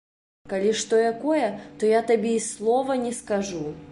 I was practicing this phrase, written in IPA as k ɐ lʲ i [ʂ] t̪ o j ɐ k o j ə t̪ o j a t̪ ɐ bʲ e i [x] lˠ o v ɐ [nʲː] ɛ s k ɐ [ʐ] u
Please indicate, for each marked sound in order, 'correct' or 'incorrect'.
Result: correct, incorrect: s, incorrect: nʲ, correct

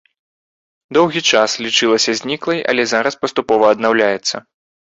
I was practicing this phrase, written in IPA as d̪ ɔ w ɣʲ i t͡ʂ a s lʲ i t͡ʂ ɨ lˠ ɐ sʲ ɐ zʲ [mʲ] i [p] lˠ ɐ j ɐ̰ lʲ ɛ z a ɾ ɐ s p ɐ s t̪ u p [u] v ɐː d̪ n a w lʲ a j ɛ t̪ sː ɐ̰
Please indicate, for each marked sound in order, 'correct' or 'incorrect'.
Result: incorrect: nʲ, incorrect: k, incorrect: ɔ

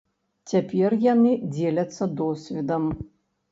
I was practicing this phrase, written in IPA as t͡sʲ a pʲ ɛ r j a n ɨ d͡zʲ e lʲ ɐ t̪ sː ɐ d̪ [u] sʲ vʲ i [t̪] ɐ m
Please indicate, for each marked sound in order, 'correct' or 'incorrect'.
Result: incorrect: ɔ, incorrect: d̪

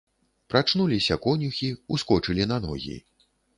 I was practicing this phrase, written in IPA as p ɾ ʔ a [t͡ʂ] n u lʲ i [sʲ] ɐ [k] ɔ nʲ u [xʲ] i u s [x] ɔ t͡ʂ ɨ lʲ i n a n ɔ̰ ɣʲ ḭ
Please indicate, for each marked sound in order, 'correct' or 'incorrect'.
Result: correct, correct, correct, correct, incorrect: k

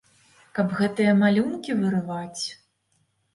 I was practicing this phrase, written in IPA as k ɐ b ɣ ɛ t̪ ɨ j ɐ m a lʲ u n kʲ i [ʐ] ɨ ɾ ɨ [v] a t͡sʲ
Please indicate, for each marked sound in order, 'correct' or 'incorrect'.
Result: incorrect: v, correct

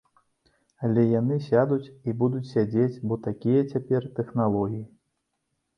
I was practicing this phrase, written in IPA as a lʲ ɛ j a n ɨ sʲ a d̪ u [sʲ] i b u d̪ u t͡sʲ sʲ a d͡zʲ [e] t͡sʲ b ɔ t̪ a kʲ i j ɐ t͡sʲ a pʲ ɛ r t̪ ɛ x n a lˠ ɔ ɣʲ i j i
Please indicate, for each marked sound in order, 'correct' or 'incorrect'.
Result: incorrect: t͡sʲ, correct

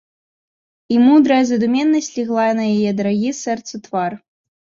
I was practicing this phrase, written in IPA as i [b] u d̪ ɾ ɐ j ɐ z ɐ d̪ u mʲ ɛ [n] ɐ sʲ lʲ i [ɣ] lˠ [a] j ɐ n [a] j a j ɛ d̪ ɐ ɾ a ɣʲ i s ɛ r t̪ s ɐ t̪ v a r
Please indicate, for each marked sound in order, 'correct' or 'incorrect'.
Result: incorrect: m, incorrect: nː, correct, correct, incorrect: ɐ

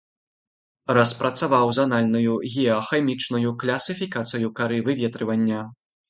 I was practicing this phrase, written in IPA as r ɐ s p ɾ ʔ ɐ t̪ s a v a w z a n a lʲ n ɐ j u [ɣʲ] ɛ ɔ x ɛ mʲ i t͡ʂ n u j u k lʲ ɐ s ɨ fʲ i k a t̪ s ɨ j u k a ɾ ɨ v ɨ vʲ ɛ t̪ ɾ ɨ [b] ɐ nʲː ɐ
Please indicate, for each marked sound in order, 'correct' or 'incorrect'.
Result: correct, incorrect: v

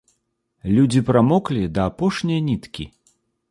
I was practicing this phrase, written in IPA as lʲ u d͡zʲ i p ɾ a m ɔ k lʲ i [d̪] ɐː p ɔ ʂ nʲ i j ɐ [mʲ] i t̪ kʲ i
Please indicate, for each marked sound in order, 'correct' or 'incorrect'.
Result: correct, incorrect: nʲ

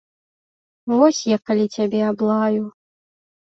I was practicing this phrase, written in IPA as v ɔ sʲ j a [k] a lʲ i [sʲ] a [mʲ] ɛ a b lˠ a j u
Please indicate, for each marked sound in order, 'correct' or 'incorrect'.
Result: correct, incorrect: t͡sʲ, incorrect: bʲ

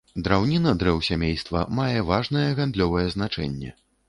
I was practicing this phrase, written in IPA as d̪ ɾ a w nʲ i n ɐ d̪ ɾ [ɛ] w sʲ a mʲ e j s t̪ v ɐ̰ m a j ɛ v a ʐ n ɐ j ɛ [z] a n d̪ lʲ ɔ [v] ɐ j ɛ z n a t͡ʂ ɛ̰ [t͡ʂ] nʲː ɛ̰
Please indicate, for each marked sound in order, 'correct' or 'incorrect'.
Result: correct, incorrect: ɣ, correct, incorrect: none

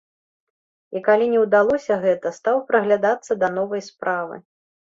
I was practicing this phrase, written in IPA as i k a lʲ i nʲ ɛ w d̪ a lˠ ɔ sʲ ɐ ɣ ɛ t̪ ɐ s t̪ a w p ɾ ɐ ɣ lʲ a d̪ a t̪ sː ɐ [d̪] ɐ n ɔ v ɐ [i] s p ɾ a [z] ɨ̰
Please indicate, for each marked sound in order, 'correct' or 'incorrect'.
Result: correct, incorrect: j, incorrect: v

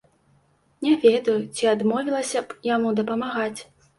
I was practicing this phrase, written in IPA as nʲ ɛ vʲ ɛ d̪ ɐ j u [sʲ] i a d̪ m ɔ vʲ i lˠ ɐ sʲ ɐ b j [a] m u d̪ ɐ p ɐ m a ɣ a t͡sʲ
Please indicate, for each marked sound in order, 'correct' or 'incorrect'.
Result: incorrect: t͡sʲ, correct

